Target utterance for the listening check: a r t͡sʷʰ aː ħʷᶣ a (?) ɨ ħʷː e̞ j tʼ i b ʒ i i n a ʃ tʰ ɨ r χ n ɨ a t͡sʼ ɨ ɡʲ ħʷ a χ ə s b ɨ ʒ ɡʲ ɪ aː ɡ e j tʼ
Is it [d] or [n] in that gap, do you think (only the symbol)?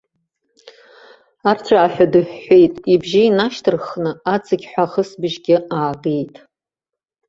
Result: d